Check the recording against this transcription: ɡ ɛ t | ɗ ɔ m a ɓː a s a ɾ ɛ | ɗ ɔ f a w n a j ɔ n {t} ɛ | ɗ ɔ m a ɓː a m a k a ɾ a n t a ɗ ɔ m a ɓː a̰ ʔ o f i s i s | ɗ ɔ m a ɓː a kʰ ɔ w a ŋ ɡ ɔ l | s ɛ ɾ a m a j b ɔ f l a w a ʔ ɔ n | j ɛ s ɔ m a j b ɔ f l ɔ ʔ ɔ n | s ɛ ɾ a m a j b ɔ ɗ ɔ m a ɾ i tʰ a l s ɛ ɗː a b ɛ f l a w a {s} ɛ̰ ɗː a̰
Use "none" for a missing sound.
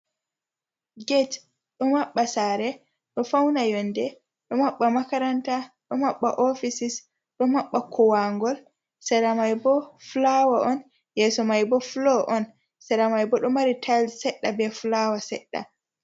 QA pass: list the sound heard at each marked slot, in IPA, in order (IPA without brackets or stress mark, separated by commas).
d, s